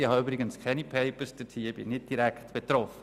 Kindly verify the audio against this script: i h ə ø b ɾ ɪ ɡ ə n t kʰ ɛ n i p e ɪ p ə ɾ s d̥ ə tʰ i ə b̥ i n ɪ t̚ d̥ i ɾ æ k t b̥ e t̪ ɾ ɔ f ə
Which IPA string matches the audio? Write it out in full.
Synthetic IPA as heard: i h ɑ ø b ɾ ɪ ɡ ə n s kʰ ɛ n i pʰ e ɪ p ə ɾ s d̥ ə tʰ i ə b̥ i n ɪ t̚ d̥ i ɾ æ k t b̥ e t̪ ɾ ɔ f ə